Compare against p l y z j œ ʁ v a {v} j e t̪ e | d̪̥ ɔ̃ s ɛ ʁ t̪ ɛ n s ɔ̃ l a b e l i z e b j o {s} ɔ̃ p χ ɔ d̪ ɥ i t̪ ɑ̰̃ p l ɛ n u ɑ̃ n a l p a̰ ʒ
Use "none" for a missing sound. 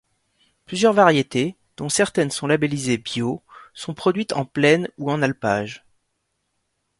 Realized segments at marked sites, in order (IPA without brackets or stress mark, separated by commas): ʁ, s